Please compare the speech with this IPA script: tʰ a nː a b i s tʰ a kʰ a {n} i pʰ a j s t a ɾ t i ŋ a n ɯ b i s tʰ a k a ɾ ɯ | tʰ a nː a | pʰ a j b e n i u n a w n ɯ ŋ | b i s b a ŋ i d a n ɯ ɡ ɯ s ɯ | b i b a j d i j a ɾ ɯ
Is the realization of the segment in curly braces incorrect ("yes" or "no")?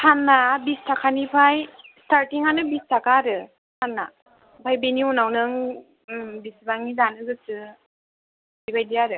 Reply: no